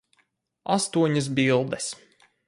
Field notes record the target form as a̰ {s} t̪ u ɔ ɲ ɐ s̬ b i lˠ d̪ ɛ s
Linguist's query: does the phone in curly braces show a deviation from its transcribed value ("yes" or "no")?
no